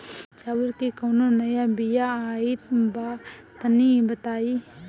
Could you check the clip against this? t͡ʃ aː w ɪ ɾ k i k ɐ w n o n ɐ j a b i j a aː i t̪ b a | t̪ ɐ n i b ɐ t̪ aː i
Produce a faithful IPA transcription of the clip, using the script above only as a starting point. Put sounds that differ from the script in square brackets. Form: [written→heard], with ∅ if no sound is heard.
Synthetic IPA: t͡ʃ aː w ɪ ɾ k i k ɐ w n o n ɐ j a b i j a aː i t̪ b a | t̪ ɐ n i b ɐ t̪ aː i